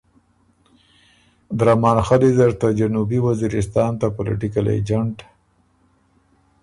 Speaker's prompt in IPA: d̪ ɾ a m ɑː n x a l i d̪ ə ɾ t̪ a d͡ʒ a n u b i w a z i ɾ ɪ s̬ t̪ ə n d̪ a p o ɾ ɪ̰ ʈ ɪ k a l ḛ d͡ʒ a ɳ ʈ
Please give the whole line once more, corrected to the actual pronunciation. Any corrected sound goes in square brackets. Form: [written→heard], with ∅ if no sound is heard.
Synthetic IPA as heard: d̪ ɾ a m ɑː n x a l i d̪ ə ɾ t̪ a d͡ʒ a n u b i w a z i ɾ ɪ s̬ t̪ [ə→ɑ] n [d̪→t̪] a p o [ɾ→l] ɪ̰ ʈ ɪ k a l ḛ d͡ʒ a ɳ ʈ